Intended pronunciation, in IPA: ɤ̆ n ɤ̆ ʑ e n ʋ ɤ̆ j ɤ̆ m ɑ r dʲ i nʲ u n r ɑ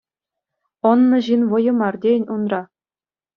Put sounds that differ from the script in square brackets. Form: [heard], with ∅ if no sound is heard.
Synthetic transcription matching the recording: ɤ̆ [nː] ɤ̆ ʑ [i] n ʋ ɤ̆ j ɤ̆ m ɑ r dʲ [e] nʲ u n r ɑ